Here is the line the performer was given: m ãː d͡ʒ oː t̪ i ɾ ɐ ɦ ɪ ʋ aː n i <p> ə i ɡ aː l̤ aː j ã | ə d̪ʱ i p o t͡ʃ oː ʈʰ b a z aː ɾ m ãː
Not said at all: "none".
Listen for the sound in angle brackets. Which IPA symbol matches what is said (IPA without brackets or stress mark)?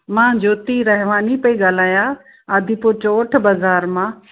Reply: p